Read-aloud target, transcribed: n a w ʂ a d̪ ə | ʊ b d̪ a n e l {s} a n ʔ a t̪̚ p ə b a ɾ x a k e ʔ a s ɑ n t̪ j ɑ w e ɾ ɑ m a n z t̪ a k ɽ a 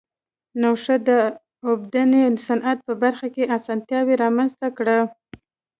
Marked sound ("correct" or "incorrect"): correct